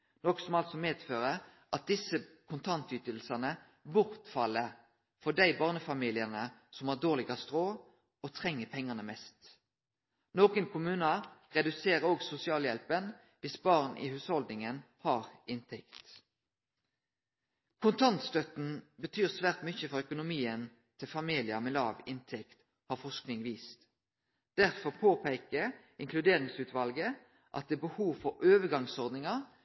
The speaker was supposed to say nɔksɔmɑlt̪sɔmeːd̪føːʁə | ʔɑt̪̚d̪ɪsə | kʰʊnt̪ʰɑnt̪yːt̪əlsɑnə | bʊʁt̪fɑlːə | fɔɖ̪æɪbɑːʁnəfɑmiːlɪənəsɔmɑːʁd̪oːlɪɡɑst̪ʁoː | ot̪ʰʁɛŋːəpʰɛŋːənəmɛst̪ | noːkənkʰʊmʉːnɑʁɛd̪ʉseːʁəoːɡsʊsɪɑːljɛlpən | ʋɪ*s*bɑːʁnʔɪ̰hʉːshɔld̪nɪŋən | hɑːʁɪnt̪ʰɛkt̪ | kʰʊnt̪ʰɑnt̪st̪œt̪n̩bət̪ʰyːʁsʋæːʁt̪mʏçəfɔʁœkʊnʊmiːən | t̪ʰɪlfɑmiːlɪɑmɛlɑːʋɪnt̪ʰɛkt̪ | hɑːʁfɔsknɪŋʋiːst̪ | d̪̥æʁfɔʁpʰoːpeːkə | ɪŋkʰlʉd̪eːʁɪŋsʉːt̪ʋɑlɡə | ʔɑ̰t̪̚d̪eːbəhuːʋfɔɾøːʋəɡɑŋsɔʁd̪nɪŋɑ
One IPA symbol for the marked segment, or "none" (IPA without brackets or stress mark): s